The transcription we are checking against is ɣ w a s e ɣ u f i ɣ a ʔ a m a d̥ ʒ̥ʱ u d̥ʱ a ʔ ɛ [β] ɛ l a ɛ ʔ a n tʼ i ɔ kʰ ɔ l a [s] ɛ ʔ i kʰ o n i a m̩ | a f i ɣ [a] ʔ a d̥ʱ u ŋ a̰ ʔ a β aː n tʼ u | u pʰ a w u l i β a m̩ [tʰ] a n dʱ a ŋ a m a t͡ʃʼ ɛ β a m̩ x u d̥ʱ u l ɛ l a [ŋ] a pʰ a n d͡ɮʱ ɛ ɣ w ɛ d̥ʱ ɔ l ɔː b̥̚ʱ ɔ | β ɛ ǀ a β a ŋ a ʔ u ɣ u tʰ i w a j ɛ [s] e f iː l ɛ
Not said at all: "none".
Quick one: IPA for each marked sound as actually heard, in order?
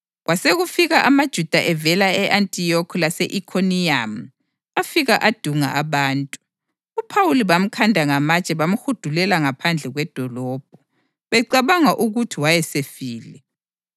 v, s, a, kʰ, ŋ, s

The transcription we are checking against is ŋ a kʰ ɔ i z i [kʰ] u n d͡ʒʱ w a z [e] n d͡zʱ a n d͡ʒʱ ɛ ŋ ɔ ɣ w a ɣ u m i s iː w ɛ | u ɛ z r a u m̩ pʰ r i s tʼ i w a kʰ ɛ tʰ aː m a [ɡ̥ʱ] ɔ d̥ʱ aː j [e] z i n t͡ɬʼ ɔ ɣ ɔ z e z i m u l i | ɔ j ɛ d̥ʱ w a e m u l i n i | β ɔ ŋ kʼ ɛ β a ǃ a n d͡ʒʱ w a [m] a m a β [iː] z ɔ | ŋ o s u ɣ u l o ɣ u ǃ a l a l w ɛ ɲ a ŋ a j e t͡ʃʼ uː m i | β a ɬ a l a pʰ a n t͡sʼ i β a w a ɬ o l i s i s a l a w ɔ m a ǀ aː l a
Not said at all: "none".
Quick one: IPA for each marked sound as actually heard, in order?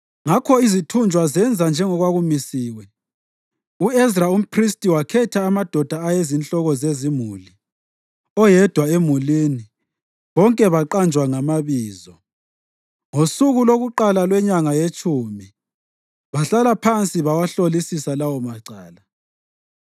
tʰ, ɛ, d̥ʱ, e, ŋ, iː

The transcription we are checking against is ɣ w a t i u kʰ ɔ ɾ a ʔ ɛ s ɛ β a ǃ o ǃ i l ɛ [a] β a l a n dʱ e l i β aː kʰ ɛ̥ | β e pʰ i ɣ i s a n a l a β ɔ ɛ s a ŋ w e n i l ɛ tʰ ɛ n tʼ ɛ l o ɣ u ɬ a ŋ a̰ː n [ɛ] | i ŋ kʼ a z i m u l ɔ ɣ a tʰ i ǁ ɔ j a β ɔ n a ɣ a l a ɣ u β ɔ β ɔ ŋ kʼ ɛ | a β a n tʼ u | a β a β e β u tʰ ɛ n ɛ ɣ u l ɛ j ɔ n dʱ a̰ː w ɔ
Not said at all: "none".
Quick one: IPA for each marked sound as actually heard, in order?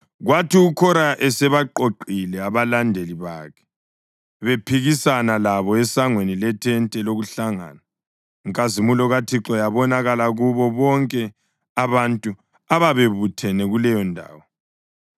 a, a

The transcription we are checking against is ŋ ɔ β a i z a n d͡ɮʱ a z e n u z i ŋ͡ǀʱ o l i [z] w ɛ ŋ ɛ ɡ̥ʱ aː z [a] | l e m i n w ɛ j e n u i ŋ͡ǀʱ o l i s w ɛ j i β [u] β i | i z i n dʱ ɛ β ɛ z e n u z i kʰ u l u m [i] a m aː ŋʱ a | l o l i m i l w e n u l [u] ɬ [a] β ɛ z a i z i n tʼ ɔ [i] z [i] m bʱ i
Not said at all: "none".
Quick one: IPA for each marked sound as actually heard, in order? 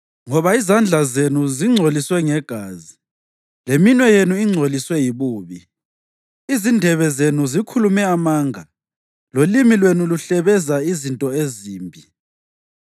s, i, uː, ɛ, u, ɛ, e, iː

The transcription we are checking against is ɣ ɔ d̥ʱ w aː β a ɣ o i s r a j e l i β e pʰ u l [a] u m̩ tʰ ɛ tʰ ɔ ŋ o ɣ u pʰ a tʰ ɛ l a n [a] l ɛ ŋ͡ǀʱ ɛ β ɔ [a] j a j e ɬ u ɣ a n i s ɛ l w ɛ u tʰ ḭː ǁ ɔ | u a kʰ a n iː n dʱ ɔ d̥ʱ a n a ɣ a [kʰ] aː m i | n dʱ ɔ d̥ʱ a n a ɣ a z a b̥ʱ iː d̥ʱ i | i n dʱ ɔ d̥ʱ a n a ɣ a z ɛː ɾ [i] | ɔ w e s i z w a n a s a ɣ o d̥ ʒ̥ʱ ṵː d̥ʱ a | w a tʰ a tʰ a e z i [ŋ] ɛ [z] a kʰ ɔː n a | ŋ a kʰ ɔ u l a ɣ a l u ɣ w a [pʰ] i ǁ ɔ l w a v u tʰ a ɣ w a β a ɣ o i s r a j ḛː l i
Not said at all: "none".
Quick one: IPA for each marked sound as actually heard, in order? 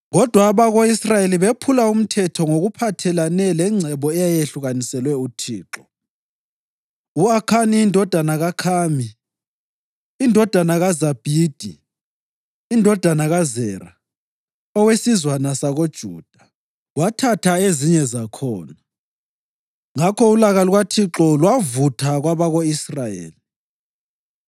a, ɛ, ɛ, kʰ, a, ɲ, z, tʰ

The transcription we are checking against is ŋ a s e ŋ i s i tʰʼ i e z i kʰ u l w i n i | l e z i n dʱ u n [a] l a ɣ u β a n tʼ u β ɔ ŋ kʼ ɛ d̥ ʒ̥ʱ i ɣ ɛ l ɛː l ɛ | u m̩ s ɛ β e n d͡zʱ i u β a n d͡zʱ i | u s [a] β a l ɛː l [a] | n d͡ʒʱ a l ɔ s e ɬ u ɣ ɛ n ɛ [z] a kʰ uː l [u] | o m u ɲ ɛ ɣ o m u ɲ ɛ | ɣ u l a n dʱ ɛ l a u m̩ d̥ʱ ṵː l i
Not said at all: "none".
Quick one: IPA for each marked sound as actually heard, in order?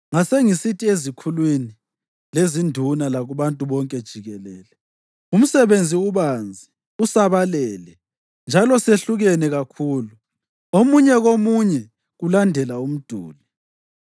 a, a, ɛ, ɣ, u

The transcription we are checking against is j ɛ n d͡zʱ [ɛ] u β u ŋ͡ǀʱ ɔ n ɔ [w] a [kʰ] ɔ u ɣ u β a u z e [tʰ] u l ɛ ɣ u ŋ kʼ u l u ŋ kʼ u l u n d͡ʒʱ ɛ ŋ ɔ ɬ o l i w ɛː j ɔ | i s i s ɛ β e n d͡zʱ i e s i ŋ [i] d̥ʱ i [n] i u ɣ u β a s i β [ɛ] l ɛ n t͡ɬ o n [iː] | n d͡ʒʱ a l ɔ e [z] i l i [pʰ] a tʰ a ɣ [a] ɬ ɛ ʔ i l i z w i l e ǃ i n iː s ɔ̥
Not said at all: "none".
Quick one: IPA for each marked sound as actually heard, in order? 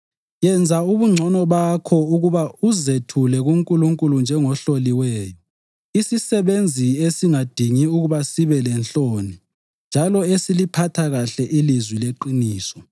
a, β, kʰ, tʰ, a, ŋ, ɛ, i, s, pʰ, a

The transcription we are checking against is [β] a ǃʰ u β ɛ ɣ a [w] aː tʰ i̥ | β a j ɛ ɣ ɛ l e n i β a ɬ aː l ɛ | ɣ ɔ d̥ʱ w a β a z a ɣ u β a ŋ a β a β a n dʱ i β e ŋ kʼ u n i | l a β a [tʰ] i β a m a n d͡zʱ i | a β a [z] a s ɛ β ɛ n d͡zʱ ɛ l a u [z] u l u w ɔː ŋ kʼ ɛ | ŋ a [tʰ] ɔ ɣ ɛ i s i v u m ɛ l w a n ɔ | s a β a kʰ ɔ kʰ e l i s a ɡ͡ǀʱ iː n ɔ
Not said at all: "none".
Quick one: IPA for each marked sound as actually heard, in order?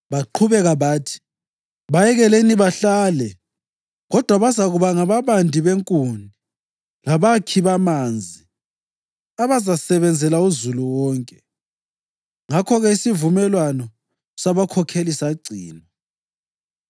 β, β, kʰ, z, z, kʰ

